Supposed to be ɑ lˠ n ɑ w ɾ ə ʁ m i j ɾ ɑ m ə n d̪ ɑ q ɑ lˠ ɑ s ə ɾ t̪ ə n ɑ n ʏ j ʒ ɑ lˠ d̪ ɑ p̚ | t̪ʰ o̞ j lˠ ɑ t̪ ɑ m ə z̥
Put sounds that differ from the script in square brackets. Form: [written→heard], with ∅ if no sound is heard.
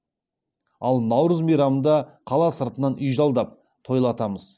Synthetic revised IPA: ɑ lˠ n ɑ w ɾ ə [ʁ→z] m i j ɾ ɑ m ə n d̪ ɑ [q→qʰ] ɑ lˠ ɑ s ə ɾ t̪ ə n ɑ n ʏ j ʒ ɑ lˠ d̪ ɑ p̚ | t̪ʰ o̞ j lˠ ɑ t̪ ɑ m ə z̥